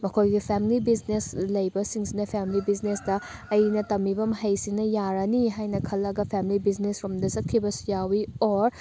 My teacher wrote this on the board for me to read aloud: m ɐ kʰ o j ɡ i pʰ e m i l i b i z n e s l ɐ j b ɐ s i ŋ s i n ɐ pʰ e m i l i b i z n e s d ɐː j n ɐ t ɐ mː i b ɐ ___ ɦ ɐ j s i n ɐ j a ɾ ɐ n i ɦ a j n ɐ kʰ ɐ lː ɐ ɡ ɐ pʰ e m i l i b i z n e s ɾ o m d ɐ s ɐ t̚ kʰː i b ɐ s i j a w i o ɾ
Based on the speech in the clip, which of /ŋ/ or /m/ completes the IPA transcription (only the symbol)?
m